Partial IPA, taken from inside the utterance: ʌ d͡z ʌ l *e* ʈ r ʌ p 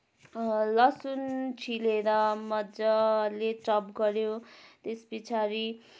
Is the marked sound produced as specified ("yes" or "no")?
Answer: yes